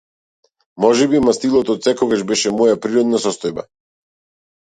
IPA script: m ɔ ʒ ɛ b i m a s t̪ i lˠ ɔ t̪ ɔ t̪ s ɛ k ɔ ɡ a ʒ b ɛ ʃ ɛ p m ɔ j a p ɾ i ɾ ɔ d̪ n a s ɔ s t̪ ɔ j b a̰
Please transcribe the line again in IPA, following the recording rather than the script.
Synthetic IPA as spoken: m ɔ ʒ ɛ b i m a s t̪ i lˠ ɔ t̪ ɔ t̪ s ɛ k ɔ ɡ a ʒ b ɛ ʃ ɛ m ɔ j a p ɾ i ɾ ɔ d̪ n a s ɔ s t̪ ɔ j b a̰